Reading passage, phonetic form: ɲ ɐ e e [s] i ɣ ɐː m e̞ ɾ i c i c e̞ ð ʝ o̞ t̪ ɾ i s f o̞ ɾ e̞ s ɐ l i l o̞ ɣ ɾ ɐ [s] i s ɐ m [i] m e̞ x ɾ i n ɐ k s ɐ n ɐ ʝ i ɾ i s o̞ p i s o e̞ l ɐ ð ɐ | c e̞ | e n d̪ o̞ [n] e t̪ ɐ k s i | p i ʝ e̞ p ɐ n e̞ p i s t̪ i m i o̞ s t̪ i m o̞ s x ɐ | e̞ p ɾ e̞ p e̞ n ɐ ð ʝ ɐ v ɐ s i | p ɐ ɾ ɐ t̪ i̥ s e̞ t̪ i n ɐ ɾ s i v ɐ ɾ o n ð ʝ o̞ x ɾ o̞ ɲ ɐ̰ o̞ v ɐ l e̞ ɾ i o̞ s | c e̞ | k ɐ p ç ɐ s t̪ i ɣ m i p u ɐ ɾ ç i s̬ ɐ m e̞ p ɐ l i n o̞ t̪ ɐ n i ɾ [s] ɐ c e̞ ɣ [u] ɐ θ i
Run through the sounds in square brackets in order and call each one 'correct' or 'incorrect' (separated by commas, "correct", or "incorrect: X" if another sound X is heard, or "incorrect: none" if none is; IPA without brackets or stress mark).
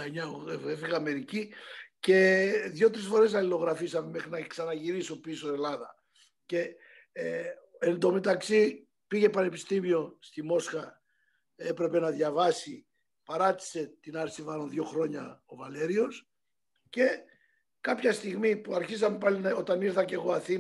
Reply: incorrect: f, incorrect: f, incorrect: e, incorrect: m, incorrect: θ, incorrect: o